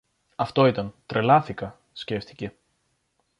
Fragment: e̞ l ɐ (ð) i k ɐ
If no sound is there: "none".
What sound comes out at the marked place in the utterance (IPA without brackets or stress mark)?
θ